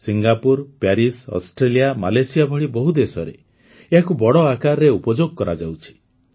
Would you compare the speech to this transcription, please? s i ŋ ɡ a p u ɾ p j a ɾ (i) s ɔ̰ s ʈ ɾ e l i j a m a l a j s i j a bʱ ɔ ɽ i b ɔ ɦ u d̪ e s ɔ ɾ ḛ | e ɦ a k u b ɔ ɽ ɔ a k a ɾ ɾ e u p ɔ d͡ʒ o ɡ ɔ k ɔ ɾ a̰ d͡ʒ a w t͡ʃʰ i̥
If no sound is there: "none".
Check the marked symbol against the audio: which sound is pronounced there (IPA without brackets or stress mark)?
i